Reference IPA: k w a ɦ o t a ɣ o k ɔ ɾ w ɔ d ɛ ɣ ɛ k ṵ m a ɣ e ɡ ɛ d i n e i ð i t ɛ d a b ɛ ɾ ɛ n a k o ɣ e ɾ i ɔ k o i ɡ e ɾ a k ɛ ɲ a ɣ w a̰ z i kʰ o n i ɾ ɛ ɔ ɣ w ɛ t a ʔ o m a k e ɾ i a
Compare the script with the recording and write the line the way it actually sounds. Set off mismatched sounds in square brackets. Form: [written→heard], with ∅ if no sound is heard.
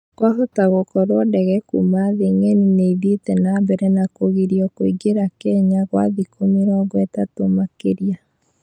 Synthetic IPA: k w a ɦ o t a ɣ o k ɔ ɾ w ɔ d ɛ ɣ ɛ k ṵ m a [ɣ→ð] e [ɡ→ŋ] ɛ [d→n] i n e i ð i t ɛ [d→n] a b ɛ ɾ ɛ n a k o ɣ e ɾ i ɔ k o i ɡ e ɾ a k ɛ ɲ a ɣ w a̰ [z→ð] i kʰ o [n→m] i ɾ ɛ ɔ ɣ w ɛ t a [ʔ→t] o m a k e ɾ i a